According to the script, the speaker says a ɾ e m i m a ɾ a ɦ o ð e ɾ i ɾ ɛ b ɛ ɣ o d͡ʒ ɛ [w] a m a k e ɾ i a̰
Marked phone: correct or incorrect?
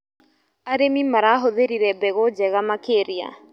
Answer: incorrect